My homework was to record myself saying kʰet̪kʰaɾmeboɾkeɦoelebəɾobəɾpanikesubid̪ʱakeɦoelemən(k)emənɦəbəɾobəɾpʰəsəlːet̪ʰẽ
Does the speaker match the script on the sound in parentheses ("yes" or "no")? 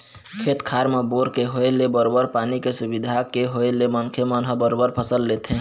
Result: no